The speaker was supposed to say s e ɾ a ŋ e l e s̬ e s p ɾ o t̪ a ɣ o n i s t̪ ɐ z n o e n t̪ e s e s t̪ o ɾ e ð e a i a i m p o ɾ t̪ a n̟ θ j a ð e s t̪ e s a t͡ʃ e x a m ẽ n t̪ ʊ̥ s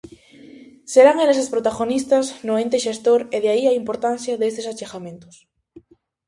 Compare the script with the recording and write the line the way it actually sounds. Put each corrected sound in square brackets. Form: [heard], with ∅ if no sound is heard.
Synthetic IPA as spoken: s e ɾ a ŋ e l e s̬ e s p ɾ o t̪ a ɣ o n i s t̪ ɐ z n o e n t̪ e [ʃ] e s t̪ o ɾ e ð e a i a i m p o ɾ t̪ a n̟ θ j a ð e s t̪ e s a t͡ʃ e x a m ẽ n t̪ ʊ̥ s